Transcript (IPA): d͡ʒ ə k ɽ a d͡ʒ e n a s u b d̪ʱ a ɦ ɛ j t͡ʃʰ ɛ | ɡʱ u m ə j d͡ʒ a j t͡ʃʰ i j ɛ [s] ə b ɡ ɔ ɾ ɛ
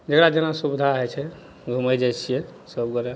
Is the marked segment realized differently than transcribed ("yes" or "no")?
no